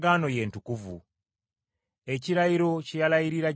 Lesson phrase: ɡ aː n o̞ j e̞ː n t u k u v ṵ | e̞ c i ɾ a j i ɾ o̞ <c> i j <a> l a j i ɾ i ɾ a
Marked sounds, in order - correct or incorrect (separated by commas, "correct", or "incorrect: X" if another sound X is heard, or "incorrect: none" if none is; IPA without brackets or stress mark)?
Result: correct, correct